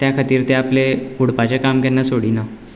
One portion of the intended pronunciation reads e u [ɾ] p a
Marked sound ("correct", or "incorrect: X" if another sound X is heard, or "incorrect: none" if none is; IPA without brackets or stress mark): incorrect: ɽ